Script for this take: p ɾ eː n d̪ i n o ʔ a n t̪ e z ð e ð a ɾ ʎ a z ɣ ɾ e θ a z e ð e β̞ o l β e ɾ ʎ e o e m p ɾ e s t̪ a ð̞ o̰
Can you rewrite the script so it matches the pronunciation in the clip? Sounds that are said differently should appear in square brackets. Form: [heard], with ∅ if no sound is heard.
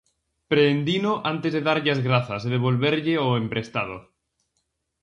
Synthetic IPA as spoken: p ɾ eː n d̪ i n o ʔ a n t̪ e z ð e ð a ɾ ʎ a z ɣ ɾ [a] θ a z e ð e β̞ o l β e ɾ ʎ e o e m p ɾ e s t̪ a ð̞ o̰